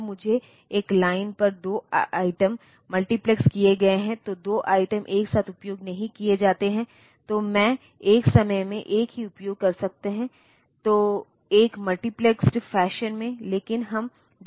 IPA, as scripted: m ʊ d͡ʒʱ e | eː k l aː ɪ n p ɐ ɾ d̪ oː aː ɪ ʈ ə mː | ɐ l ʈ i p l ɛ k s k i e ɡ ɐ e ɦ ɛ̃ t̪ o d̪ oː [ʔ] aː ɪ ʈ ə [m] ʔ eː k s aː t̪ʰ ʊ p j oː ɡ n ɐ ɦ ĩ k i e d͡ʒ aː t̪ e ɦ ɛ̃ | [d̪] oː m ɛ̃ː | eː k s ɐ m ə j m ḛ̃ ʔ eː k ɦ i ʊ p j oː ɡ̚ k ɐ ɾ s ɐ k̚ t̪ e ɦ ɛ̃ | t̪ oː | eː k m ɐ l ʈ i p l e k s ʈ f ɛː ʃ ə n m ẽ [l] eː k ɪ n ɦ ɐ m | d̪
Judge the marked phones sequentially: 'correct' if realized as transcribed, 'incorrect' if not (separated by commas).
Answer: correct, correct, incorrect, correct